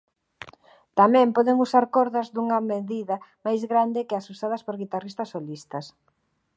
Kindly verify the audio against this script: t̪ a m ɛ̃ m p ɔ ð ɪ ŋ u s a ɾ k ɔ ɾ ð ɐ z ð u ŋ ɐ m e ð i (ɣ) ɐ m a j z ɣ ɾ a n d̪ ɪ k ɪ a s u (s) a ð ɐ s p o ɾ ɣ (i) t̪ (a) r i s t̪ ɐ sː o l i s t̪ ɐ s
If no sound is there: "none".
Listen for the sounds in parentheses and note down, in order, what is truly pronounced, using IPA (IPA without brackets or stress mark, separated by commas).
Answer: ð, s, i, a